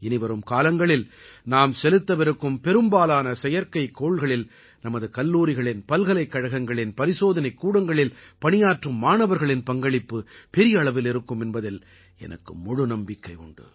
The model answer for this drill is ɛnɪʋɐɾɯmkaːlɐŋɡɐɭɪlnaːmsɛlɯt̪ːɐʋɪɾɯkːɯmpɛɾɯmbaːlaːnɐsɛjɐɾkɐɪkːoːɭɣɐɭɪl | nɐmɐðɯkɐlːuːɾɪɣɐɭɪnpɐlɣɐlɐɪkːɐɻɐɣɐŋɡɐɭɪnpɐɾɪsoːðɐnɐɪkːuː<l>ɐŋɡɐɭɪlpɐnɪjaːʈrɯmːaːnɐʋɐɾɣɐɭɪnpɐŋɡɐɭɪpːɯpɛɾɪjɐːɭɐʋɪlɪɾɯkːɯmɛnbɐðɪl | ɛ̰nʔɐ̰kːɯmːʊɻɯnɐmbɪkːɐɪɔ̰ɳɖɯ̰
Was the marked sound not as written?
yes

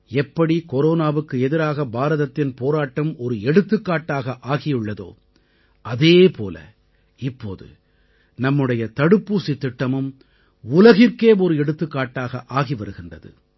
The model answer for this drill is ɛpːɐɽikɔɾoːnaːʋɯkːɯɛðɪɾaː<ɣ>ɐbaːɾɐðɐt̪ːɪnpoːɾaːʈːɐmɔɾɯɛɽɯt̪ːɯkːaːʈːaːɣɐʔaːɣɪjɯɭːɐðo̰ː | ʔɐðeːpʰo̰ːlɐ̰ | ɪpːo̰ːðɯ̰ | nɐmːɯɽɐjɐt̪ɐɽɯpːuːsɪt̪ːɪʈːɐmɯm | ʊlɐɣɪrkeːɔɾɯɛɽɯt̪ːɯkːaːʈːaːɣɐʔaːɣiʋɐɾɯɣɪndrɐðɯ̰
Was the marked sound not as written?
no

